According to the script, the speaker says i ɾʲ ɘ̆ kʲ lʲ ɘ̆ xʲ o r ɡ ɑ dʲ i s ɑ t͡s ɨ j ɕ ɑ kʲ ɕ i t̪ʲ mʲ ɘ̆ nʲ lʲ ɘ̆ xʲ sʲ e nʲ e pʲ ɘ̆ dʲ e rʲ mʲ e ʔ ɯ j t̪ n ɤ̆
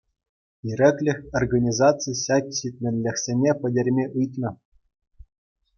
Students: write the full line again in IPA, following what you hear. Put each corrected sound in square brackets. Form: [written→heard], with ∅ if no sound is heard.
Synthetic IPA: i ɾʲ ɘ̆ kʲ lʲ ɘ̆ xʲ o r ɡ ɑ [dʲ→nʲ] i [s→z] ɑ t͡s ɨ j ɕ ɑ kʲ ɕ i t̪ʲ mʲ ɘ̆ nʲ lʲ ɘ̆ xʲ sʲ e nʲ e pʲ ɘ̆ dʲ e rʲ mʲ e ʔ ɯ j t̪ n ɤ̆